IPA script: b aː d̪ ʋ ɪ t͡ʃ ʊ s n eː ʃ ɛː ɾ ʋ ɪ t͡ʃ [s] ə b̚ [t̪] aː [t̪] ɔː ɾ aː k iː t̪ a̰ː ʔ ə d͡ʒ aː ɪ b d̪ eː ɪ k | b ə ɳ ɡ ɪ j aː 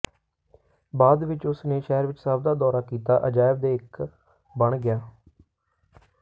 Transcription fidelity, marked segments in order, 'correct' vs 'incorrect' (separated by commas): correct, incorrect, incorrect